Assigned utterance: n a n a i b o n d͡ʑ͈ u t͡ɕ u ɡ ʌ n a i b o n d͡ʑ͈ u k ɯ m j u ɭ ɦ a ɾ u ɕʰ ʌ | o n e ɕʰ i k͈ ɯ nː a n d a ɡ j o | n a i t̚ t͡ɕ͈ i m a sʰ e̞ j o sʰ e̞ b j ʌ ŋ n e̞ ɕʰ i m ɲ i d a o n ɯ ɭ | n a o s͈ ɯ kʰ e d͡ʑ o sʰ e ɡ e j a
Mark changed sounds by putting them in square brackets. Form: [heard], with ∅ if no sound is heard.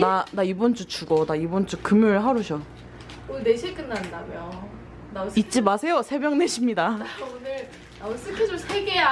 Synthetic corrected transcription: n a n a i b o n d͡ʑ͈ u t͡ɕ u ɡ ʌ n a i b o n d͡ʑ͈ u k ɯ m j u ɭ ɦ a ɾ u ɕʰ ʌ | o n e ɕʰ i k͈ ɯ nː a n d a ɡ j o | n a i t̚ t͡ɕ͈ i m a sʰ e̞ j o sʰ e̞ b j ʌ ŋ n e̞ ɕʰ i m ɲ i d a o n ɯ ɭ | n a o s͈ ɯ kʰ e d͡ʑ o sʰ e ɡ e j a